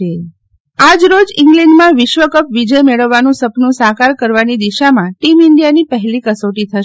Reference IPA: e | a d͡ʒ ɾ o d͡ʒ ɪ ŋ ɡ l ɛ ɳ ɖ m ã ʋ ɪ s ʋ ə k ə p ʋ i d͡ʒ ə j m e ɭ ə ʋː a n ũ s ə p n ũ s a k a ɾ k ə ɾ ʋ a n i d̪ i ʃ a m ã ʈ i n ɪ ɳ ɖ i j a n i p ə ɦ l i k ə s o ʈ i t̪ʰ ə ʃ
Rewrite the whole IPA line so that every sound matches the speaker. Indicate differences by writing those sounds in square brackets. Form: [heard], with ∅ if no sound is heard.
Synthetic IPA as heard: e | a d͡ʒ ɾ o d͡ʒ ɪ ŋ ɡ l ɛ ɳ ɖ m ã ʋ ɪ [ʃ] ʋ ə k ə p ʋ i d͡ʒ ə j m e ɭ ə ʋː a n ũ s ə p n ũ s a k a ɾ k ə ɾ ʋ a n i d̪ i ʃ a m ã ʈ i [m] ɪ ɳ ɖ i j a n i p ə ɦ l i k ə s o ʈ i t̪ʰ ə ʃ